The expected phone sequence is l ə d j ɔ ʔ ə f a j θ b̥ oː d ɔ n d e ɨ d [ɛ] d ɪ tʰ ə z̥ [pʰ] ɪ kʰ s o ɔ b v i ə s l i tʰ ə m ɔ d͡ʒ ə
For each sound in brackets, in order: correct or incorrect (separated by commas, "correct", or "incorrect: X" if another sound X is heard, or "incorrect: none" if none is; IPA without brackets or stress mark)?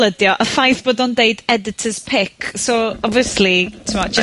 correct, correct